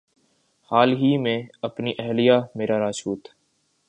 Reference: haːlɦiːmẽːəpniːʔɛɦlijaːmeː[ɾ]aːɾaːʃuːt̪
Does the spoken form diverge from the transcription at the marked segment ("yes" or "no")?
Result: no